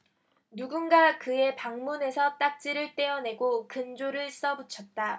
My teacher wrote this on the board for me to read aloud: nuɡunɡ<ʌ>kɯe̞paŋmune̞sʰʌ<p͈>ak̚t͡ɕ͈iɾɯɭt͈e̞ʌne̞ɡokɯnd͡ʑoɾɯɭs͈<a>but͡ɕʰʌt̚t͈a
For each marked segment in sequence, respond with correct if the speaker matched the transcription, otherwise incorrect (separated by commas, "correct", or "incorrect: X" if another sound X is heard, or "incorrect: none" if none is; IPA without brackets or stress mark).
incorrect: a, incorrect: t͈, incorrect: ʌ